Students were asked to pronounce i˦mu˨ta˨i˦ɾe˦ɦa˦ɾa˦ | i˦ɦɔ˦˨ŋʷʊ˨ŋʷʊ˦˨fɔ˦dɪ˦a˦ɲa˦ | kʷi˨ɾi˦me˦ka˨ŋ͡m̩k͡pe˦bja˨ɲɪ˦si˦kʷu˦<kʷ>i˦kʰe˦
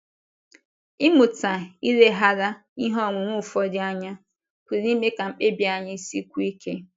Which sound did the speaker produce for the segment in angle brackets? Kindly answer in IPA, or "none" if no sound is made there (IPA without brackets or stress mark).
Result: none